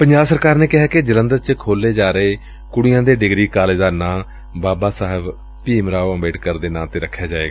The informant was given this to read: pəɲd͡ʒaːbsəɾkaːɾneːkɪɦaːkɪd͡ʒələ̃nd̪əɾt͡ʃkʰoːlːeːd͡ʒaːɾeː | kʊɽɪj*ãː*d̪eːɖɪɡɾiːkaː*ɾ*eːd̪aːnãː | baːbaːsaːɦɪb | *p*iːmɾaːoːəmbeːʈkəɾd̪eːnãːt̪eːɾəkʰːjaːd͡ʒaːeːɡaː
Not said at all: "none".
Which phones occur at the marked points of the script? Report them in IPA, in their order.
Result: ãː, l, p

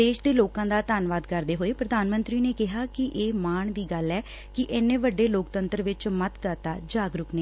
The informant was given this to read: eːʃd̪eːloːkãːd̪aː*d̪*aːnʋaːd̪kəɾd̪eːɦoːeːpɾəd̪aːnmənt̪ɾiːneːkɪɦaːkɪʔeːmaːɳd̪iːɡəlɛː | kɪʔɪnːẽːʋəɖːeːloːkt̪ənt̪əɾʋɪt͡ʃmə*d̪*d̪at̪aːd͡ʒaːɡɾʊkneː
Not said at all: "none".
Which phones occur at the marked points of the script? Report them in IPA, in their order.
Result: t̪, t̪

